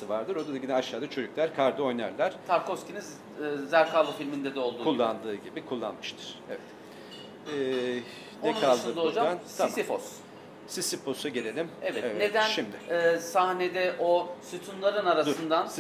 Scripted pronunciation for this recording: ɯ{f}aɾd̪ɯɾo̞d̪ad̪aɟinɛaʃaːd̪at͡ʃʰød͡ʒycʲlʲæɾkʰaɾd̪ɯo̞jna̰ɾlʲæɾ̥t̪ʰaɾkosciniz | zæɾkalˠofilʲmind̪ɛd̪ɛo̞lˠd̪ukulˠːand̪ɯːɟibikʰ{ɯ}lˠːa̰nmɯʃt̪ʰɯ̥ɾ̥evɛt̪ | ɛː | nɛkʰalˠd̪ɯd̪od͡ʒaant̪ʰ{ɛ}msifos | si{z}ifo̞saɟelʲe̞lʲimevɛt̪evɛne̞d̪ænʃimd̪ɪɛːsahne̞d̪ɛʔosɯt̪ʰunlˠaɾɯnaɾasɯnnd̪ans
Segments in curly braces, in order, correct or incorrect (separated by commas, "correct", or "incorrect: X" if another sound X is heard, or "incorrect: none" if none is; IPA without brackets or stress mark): incorrect: v, incorrect: u, incorrect: a, incorrect: s